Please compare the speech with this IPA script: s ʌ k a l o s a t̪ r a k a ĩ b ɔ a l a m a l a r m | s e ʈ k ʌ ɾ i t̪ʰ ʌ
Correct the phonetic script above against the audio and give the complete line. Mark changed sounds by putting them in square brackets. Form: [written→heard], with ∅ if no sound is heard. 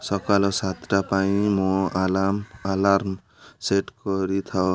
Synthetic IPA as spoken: s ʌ k a l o s a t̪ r a [k→p] a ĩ [b→m] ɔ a l a m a l a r m | s e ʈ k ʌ ɾ i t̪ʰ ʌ